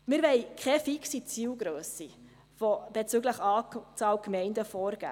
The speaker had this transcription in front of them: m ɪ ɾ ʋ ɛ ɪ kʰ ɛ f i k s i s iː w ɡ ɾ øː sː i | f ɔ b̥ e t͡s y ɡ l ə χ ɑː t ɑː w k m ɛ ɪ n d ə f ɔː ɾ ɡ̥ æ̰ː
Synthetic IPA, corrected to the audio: m ɪ ɾ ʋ ɛ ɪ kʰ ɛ f i k s i t͡s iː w ɡ ɾ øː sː i | f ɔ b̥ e t͡s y ɡ l ə χ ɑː t͡s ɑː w k m ɛ ɪ n d ə f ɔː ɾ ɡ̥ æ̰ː